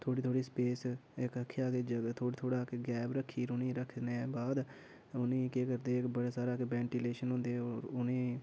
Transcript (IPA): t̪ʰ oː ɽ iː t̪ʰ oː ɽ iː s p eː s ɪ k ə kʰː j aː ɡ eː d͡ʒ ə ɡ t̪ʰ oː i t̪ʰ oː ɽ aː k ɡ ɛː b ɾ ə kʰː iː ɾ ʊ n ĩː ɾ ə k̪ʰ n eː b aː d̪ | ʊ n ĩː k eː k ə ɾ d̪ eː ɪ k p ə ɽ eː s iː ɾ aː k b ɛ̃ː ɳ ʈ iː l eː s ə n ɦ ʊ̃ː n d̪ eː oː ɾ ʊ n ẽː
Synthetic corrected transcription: t̪ʰ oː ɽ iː t̪ʰ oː ɽ iː s p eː s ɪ k ə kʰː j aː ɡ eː d͡ʒ ə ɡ t̪ʰ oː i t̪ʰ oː ɽ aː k ɡ ɛː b ɾ ə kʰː iː ɾ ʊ n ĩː ɾ ə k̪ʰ n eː b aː d̪ | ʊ n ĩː k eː k ə ɾ d̪ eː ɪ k b ə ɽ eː s aː ɾ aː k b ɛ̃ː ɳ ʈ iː l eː ʃ ə n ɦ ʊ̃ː n d̪ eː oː ɾ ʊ n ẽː